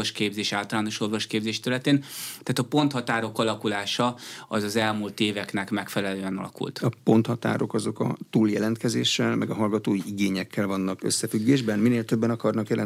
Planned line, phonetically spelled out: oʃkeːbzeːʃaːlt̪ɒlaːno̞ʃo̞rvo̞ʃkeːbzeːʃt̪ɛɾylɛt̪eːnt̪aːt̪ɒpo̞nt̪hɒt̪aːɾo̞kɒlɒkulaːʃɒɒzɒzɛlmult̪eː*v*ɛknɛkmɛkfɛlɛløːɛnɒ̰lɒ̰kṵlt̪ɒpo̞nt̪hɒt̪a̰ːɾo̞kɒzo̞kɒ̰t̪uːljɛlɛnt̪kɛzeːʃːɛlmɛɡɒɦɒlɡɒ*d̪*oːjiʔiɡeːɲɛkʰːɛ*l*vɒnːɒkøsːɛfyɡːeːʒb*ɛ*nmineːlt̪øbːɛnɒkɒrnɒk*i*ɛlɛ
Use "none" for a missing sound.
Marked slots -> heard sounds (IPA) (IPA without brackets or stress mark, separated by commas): v, t̪, l, ɛ, j